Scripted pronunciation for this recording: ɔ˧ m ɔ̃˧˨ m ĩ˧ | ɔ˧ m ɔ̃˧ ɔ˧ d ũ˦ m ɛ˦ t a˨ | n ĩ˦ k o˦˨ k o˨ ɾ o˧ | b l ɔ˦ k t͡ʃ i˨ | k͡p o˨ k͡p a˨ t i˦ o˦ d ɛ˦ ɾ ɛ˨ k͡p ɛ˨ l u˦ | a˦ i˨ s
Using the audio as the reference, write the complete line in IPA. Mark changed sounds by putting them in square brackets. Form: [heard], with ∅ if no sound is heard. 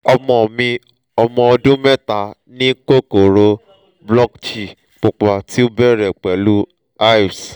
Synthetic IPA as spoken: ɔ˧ m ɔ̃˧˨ m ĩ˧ | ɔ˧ m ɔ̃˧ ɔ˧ d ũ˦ m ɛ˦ t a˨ | n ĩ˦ k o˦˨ k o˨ ɾ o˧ | b l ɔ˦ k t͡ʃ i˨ | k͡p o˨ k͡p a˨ t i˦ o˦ [b] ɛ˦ ɾ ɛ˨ k͡p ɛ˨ l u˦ | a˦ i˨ s